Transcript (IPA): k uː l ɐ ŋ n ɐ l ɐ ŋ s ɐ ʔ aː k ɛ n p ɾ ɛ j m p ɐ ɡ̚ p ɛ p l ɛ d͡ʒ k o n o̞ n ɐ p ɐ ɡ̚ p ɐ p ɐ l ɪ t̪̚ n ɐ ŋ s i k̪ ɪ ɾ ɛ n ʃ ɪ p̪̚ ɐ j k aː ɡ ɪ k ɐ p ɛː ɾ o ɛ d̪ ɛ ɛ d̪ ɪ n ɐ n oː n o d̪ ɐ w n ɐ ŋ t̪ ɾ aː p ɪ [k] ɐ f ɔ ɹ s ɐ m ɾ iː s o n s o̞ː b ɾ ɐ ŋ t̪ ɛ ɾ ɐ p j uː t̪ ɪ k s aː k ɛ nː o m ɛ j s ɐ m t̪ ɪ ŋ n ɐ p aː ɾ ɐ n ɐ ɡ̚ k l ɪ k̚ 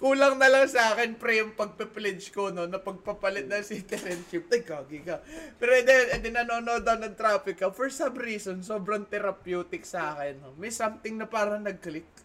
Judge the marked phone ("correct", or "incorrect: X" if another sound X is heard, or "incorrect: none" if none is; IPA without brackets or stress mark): correct